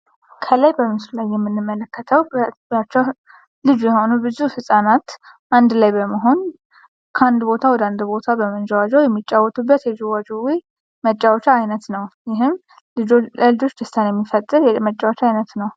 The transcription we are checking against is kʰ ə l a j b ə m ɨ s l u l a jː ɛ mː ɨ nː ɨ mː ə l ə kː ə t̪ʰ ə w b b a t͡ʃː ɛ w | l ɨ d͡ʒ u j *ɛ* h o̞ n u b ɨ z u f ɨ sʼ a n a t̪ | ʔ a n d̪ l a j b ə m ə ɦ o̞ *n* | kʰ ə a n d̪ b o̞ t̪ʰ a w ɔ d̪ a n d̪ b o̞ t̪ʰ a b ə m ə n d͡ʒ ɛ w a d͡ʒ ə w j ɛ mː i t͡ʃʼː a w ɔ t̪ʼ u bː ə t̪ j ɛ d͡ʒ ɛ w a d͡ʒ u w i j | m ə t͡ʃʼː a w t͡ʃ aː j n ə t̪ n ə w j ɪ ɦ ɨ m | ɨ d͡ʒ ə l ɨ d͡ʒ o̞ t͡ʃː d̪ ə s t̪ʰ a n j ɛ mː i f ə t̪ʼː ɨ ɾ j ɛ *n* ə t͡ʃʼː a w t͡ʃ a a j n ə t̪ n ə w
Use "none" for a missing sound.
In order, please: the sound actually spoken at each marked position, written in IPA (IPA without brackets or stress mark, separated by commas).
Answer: ɛ, n, m